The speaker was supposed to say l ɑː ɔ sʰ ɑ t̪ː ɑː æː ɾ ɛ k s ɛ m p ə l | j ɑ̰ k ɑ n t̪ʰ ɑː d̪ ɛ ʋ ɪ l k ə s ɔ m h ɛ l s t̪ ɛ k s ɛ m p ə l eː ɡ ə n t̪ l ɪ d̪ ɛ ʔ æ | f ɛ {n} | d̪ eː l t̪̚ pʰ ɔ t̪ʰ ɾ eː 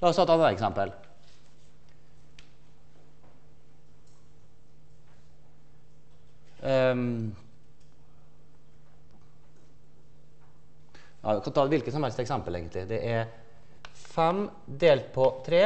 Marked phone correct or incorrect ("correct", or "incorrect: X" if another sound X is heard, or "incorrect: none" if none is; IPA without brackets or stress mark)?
incorrect: m